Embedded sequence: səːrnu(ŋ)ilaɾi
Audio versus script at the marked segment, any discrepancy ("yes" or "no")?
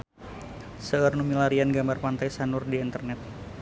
yes